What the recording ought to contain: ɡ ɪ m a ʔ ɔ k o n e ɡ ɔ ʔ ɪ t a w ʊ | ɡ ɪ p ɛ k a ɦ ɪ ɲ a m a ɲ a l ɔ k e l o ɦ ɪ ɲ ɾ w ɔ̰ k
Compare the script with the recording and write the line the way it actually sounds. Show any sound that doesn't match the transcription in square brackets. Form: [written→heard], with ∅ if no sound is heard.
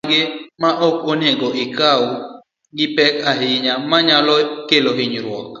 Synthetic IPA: ɡ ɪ m a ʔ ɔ k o n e ɡ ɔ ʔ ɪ [t→k] a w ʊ | ɡ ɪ p ɛ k a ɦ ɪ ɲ a m a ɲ a l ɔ k e l o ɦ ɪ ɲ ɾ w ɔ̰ k